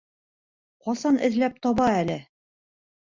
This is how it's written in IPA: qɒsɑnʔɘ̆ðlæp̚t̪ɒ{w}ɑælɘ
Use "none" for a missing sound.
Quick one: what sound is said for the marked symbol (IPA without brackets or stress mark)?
β